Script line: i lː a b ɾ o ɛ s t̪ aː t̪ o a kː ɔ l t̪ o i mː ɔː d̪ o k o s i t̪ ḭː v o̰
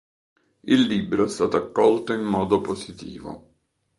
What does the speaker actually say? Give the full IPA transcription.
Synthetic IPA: i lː i b ɾ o ɛ s t̪ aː t̪ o a kː ɔ l t̪ o i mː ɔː d̪ o p o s i t̪ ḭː v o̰